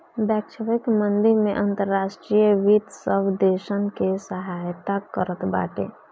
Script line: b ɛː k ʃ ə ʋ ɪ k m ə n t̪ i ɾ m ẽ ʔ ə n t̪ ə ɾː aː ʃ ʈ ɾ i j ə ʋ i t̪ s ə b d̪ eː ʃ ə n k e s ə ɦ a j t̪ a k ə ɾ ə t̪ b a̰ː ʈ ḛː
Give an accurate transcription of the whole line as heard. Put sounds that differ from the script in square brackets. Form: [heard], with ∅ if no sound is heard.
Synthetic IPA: b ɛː k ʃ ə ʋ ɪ k m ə n [d̪] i ɾ m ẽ ʔ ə n t̪ ə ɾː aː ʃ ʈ ɾ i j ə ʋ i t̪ s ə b d̪ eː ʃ ə n k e s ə ɦ a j t̪ a k ə ɾ ə t̪ b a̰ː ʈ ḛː